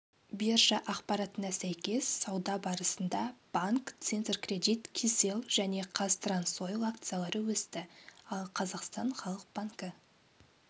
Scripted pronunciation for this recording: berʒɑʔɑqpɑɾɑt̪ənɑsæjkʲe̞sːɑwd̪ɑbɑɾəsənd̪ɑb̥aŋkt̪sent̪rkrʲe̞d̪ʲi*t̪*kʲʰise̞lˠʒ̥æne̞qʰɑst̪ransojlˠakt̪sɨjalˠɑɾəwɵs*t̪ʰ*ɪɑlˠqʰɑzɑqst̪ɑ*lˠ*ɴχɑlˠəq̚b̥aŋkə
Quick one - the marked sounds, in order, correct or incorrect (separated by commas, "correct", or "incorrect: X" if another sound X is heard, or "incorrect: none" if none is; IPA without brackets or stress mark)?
correct, incorrect: t̪, incorrect: none